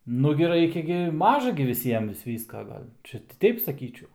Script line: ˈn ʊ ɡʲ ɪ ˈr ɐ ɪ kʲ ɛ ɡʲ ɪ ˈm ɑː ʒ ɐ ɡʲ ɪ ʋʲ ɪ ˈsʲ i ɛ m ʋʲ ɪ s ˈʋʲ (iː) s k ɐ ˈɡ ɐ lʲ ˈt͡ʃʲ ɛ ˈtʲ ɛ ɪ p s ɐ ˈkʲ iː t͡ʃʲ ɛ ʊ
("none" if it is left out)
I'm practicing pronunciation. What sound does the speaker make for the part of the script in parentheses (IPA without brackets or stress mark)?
iː